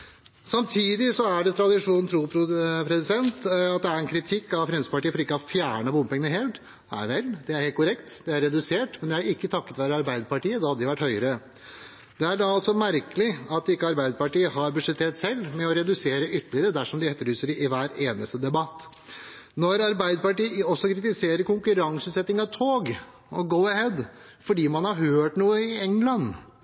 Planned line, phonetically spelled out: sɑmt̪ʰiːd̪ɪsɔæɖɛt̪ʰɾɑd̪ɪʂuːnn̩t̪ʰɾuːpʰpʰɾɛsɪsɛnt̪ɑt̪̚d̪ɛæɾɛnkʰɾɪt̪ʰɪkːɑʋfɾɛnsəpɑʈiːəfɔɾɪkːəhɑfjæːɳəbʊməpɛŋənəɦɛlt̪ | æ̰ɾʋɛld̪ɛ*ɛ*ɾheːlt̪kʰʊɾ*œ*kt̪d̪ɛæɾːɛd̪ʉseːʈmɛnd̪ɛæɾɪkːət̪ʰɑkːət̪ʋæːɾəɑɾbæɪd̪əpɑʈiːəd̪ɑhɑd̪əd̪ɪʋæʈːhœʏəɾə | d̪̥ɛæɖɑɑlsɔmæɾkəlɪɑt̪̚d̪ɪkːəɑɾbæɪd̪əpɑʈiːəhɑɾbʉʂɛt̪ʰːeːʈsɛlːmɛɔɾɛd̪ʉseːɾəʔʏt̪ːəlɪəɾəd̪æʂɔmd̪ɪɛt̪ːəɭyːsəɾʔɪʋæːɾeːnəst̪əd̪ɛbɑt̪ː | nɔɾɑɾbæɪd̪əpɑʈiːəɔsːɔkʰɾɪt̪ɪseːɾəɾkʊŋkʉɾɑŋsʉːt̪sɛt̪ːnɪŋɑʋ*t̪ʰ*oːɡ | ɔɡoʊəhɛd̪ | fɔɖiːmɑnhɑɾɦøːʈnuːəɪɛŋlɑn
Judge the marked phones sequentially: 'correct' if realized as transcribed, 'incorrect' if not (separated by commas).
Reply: incorrect, incorrect, correct